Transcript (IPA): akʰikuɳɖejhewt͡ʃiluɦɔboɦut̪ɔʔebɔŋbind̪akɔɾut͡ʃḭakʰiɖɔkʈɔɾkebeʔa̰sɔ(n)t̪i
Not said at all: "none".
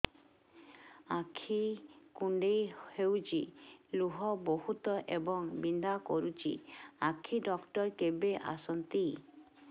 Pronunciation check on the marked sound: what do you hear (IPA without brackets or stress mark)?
n